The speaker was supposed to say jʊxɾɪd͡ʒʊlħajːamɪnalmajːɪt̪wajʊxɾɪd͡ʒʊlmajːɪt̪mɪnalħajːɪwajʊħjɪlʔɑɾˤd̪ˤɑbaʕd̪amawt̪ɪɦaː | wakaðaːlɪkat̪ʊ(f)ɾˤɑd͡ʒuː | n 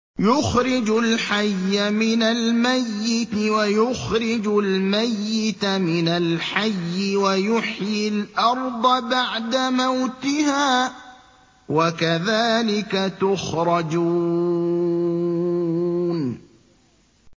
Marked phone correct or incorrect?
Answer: incorrect